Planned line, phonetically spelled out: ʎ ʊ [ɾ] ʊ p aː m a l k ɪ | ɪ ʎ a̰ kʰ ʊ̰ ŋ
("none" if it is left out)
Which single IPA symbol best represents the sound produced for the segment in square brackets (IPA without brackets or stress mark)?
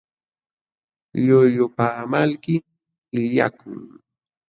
ʎ